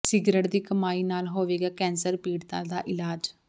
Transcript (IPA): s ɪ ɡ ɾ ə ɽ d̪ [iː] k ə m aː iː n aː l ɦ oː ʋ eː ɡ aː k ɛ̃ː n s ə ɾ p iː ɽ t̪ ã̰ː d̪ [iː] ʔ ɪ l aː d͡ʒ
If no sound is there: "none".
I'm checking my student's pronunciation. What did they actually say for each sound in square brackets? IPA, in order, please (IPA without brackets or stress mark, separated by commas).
iː, aː